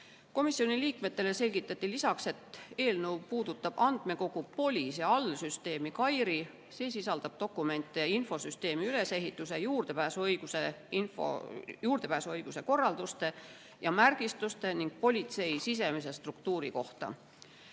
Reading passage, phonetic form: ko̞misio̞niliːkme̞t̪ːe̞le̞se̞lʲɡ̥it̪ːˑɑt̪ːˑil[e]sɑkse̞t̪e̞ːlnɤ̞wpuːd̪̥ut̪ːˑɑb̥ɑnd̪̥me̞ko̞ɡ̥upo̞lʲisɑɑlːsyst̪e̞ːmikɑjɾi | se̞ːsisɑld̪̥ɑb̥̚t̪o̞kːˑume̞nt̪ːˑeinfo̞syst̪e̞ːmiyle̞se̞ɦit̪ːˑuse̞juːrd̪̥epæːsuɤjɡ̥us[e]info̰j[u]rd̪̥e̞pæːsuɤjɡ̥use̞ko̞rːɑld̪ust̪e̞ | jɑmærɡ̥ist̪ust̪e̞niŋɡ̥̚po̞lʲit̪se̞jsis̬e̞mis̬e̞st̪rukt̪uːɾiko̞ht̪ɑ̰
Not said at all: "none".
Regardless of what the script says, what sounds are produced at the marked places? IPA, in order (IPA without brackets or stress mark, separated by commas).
i, e, uː